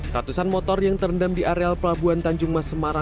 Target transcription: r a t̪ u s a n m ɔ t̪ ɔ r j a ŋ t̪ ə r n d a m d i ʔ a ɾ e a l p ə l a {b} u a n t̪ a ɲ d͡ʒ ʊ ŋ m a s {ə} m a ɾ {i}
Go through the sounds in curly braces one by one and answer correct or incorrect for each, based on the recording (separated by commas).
correct, correct, incorrect